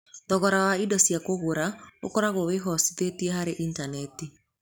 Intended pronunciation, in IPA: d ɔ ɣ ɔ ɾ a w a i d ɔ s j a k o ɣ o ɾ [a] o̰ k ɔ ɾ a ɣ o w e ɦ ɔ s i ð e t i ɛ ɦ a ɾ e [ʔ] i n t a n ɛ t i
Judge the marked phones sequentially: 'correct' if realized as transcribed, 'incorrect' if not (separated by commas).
correct, correct